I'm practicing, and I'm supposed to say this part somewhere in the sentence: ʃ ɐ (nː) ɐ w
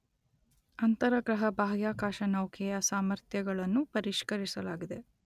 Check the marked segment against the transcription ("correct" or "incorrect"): incorrect